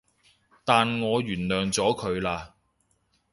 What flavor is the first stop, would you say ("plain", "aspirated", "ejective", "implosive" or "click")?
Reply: plain